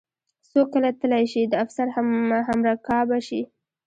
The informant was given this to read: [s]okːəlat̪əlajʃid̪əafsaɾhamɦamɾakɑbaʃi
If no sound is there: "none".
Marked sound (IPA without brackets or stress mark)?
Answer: s